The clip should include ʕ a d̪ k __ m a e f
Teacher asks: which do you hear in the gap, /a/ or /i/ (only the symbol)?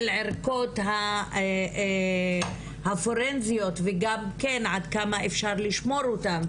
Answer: a